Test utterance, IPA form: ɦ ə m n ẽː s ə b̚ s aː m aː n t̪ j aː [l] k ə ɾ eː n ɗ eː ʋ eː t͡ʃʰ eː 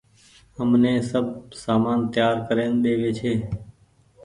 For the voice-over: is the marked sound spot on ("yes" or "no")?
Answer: no